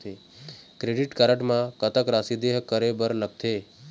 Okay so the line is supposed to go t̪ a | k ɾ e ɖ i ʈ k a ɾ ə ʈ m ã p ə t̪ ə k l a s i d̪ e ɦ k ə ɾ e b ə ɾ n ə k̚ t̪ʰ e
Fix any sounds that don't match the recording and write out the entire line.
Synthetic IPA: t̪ e | k ɾ e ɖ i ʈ k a ɾ ə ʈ m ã k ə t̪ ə k ɾ a s i d̪ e ɦ k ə ɾ e b ə ɾ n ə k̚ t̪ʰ e